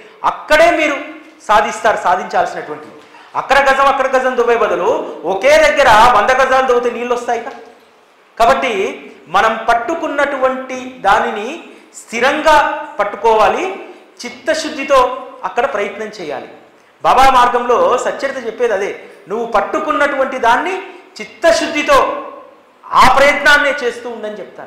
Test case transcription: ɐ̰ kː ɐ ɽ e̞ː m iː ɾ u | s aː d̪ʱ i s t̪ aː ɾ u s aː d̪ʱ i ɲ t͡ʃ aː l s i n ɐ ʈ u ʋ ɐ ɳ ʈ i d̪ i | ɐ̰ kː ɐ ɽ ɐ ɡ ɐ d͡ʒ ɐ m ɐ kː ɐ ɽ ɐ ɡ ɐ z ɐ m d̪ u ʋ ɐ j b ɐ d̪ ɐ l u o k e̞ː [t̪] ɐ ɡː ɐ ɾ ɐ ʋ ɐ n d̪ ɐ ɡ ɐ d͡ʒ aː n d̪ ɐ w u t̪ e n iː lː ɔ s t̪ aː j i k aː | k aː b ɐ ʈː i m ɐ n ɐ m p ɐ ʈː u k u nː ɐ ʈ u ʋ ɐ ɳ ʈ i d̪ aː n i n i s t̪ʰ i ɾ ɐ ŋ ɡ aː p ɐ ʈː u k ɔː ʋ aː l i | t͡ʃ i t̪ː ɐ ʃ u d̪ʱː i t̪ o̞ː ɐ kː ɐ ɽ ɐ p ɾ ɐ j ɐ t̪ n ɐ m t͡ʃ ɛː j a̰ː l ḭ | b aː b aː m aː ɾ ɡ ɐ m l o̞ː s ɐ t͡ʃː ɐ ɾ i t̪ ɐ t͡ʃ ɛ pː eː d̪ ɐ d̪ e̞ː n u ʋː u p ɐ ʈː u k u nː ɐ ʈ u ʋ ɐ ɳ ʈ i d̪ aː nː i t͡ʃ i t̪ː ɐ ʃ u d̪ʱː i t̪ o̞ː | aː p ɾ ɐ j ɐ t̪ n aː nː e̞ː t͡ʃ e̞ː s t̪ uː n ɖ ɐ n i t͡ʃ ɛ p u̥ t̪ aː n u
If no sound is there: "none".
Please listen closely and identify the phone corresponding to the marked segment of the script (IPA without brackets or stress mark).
d̪